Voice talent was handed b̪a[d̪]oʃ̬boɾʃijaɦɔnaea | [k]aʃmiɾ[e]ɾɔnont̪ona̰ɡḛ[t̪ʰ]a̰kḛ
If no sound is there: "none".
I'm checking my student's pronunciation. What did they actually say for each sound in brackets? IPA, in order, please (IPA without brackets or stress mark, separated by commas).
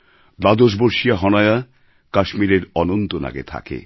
d̪, k, e, t̪ʰ